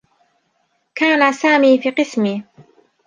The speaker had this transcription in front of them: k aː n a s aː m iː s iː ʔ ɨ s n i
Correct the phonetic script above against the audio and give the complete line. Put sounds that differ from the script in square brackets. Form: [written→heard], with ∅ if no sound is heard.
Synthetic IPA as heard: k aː n a s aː m iː [s→f] iː [ʔ→q] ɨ s [n→m] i